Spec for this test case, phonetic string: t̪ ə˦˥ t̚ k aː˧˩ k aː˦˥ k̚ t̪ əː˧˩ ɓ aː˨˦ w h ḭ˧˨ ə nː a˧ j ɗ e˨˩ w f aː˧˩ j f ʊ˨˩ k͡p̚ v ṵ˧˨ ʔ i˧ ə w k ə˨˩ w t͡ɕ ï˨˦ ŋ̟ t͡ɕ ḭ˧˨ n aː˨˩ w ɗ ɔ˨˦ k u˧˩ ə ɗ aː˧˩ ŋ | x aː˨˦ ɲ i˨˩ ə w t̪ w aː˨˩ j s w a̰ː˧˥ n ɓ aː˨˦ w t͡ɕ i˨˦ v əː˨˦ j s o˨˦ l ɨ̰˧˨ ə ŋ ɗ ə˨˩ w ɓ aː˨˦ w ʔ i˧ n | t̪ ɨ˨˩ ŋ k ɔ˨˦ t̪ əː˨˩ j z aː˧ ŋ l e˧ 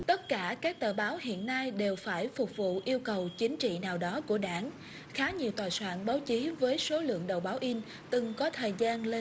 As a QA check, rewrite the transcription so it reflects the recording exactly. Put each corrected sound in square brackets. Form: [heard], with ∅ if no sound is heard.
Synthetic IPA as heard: t̪ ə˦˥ t̚ k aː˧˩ k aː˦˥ k̚ t̪ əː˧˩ ɓ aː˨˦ w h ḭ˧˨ ə nː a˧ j ɗ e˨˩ w f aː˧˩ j f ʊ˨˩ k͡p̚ v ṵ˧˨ ʔ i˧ ə w k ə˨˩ w t͡ɕ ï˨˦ ŋ̟ t͡ɕ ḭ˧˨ n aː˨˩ w ɗ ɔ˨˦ k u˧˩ ə ɗ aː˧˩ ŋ | x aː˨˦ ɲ i˨˩ ə w t̪ w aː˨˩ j s w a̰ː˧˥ n ɓ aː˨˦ w t͡ɕ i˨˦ v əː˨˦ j s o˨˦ l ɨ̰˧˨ ə ŋ ɗ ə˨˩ w ɓ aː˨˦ w ʔ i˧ n | t̪ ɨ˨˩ ŋ k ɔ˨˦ [t̪ʰ] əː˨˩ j z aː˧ [n] l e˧